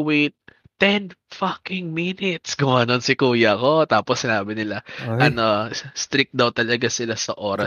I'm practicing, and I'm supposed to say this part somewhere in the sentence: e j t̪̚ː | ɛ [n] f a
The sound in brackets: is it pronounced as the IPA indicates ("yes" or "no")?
yes